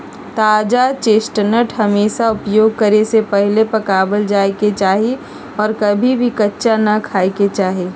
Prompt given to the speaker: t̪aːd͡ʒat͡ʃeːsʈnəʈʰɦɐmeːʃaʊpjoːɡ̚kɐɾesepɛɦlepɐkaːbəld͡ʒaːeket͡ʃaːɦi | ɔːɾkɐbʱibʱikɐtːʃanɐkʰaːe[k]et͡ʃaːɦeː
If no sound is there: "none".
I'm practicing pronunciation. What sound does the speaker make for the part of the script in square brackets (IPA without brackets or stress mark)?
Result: k